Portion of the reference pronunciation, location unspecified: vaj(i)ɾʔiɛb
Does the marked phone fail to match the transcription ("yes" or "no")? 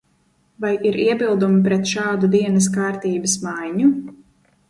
no